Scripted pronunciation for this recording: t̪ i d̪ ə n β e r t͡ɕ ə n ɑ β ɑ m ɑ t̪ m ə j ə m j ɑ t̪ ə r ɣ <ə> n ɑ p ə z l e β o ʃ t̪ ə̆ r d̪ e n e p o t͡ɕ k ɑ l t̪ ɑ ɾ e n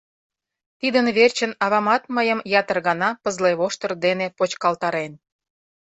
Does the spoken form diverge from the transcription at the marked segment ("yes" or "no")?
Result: yes